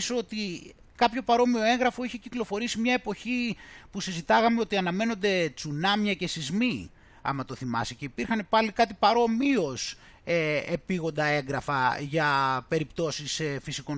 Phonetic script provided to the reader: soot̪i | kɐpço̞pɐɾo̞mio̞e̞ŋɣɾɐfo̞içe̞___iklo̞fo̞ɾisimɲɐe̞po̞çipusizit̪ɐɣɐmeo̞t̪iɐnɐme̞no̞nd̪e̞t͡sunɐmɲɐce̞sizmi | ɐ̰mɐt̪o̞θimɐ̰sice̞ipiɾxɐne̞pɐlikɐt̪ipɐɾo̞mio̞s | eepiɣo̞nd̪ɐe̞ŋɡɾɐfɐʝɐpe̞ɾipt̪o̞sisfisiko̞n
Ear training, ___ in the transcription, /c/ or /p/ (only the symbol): c